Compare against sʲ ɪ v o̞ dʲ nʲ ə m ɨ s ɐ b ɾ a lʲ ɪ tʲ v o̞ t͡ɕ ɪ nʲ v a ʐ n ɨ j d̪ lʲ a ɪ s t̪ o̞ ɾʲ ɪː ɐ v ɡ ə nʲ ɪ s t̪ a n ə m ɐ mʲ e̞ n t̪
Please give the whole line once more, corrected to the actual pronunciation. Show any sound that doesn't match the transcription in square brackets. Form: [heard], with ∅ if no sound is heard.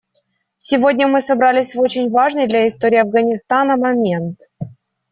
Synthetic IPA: sʲ ɪ v o̞ dʲ nʲ ə m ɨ s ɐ b ɾ a lʲ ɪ [sʲ] v o̞ t͡ɕ ɪ nʲ v a ʐ n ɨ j d̪ lʲ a ɪ s t̪ o̞ ɾʲ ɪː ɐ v ɡ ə nʲ ɪ s t̪ a n ə m ɐ mʲ e̞ n t̪